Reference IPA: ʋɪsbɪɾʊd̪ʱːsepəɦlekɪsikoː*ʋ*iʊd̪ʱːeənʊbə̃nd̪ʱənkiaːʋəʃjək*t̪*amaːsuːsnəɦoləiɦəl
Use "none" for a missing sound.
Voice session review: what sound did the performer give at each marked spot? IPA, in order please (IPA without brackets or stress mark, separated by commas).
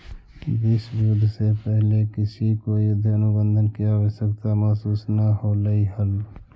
none, t̪